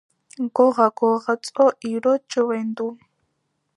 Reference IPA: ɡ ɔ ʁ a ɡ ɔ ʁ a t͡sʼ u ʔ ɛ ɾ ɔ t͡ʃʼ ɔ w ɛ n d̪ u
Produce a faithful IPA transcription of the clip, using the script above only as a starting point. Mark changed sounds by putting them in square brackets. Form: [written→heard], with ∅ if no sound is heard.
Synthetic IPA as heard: ɡ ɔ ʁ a ɡ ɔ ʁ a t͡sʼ [u→ɔ] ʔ [ɛ→i] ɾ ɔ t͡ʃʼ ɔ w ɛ n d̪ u